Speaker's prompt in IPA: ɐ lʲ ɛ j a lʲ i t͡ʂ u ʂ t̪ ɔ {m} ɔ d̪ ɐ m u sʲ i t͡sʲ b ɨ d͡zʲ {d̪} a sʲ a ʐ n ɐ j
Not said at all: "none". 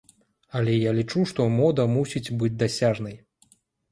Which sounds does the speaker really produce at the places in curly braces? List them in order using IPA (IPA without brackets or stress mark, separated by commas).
m, d̪